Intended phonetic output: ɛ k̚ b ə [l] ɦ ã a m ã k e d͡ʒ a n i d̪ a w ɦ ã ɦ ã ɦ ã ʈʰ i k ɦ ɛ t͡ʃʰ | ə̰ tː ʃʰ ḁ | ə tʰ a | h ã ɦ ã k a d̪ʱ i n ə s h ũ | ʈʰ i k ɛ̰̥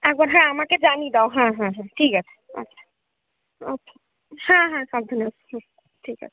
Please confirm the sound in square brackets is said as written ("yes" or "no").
no